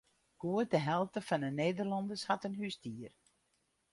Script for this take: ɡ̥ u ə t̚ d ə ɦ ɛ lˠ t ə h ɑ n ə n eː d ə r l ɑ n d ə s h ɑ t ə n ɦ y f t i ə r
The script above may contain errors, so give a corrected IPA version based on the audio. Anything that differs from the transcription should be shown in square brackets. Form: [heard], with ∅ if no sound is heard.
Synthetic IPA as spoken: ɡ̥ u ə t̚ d ə ɦ ɛ lˠ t ə [f] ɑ n ə n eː d ə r l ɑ n d ə s h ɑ t ə n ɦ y [s] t i ə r